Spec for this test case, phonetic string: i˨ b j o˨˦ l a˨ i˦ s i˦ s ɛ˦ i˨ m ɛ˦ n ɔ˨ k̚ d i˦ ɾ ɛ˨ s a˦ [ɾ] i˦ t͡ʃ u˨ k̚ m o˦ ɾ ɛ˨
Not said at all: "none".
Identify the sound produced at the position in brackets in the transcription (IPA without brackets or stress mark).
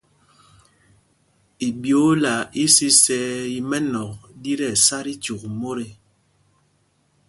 ɾ